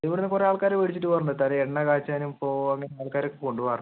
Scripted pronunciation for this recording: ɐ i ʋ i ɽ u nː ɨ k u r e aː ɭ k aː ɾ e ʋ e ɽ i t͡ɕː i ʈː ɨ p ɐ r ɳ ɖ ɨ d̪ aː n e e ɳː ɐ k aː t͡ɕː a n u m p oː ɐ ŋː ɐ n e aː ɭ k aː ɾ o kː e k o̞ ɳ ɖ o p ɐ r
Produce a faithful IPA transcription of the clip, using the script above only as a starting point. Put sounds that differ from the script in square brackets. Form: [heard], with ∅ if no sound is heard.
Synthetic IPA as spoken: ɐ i ʋ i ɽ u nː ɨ k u r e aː ɭ k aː ɾ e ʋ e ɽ i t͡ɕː i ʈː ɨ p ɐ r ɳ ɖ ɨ [t̪] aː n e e ɳː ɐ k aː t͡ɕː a n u m p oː ɐ ŋː ɐ n e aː ɭ k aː ɾ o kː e k o̞ ɳ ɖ [u] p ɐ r

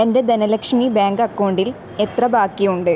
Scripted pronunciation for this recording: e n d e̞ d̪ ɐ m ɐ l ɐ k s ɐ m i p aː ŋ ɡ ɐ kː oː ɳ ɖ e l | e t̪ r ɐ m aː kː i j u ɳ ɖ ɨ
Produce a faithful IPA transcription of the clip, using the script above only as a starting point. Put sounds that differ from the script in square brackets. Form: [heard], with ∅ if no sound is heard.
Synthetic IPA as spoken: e n d e̞ d̪ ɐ [n] ɐ l ɐ k [ʂ] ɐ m i [b] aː ŋ ɡ ɐ kː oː ɳ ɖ [i] l | e t̪ r ɐ [b] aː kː i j u ɳ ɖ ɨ

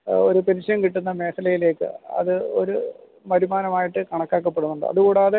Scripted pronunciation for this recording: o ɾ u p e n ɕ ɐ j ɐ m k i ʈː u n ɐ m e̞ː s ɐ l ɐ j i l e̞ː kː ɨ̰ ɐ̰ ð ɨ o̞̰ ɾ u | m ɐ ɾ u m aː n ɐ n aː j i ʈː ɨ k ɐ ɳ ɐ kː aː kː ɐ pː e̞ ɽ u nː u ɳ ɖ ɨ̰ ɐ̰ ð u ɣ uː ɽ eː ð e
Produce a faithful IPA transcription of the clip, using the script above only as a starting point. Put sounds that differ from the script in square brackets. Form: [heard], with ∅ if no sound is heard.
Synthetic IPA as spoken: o ɾ u p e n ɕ ɐ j ɐ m k i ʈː u [nː] ɐ m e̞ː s ɐ l ɐ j i l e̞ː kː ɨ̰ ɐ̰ ð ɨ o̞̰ ɾ u | m ɐ ɾ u m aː n ɐ [m] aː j i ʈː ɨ k ɐ ɳ ɐ kː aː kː ɐ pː e̞ ɽ u nː u ɳ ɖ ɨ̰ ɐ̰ ð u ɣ uː ɽ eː ð e

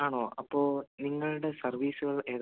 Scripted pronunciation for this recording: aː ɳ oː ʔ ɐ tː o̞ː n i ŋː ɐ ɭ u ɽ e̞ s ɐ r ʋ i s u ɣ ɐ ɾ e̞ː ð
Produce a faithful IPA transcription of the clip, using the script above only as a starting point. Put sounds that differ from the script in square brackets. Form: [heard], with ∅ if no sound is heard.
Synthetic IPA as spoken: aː ɳ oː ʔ ɐ [pː] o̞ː n i ŋː ɐ ɭ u ɽ e̞ s ɐ r ʋ [iː] s u ɣ ɐ [ɭ] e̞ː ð

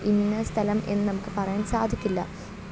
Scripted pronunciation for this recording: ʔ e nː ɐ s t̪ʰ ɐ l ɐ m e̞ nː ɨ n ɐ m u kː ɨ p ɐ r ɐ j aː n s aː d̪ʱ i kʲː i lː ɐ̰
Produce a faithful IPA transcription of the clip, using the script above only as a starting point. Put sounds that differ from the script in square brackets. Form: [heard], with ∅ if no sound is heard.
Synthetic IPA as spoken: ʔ [i] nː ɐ s t̪ʰ ɐ l ɐ m e̞ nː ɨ n ɐ m u kː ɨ p ɐ r ɐ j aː n s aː d̪ʱ i kʲː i lː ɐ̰

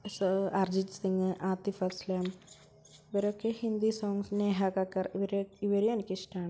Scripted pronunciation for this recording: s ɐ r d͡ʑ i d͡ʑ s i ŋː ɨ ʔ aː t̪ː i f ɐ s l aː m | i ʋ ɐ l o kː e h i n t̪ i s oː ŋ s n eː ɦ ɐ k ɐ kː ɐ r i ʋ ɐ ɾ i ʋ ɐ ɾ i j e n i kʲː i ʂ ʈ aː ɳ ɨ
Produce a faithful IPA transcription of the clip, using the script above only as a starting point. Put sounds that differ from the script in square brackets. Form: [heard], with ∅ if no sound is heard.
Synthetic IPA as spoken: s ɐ r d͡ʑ i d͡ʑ s i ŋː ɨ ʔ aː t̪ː i f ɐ s l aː m | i ʋ ɐ [ɾ] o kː e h i n [d̪] i s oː ŋ s n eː ɦ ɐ k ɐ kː ɐ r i ʋ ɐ ɾ i ʋ ɐ ɾ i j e n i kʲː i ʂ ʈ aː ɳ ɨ

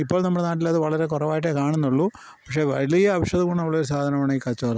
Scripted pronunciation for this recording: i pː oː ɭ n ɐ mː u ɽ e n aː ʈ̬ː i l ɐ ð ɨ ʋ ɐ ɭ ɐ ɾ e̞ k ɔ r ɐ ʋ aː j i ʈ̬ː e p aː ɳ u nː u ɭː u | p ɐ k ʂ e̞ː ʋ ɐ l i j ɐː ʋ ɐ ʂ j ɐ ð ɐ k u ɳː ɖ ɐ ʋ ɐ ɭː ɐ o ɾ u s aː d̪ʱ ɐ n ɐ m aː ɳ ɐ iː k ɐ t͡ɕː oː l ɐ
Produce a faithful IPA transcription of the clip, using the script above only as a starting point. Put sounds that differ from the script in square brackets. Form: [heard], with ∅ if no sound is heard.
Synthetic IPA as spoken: i pː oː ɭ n ɐ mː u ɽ e n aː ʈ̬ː i l ɐ ð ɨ ʋ ɐ ɭ ɐ ɾ e̞ k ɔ r ɐ ʋ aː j i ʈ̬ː e [k] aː ɳ u nː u ɭː u | p ɐ k ʂ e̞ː ʋ ɐ l i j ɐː ʋ ɐ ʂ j ɐ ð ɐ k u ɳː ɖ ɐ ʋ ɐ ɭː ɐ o ɾ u s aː d̪ʱ ɐ n ɐ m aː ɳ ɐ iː k ɐ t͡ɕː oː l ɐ

